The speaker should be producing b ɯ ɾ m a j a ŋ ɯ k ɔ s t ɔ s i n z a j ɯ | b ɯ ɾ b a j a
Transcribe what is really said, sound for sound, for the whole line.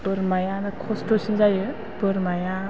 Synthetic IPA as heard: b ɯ ɾ m a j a n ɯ kʰ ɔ s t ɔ s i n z a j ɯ | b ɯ ɾ m a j a